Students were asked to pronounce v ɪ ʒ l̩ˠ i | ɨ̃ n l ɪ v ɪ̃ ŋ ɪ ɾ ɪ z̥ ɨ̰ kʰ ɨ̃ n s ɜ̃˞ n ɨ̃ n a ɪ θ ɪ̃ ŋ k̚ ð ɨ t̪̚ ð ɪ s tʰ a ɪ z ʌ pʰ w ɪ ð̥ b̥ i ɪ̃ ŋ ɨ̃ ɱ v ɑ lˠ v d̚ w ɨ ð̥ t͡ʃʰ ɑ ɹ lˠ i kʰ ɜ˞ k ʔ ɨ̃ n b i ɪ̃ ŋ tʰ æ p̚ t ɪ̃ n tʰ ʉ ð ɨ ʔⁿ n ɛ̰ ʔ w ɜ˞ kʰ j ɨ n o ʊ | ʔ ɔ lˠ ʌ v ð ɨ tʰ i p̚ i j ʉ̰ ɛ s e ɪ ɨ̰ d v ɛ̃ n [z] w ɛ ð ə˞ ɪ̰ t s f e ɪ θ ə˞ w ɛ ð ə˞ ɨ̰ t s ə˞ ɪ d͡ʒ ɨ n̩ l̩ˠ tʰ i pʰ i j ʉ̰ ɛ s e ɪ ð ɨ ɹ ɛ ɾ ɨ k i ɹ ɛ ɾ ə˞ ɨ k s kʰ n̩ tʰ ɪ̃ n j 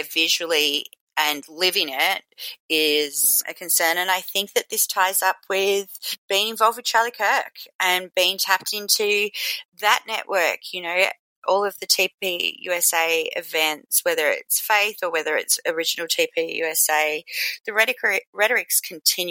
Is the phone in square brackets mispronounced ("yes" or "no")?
yes